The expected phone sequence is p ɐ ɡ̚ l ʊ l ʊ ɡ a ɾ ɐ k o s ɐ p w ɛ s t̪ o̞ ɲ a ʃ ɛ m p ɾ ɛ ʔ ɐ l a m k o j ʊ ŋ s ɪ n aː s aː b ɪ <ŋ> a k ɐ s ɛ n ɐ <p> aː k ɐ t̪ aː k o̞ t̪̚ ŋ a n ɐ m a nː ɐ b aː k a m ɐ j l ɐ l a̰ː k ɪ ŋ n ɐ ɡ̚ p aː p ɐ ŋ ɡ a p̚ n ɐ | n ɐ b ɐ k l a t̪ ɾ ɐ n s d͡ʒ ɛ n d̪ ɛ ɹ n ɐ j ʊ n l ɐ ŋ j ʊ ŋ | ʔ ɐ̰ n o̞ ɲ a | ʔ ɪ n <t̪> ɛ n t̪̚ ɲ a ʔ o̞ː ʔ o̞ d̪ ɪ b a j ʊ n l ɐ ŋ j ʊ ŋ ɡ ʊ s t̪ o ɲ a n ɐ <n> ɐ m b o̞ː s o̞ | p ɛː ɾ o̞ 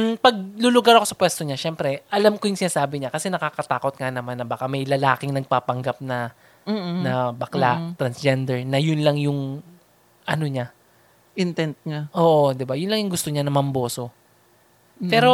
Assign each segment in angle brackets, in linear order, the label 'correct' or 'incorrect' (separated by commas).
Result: incorrect, incorrect, correct, incorrect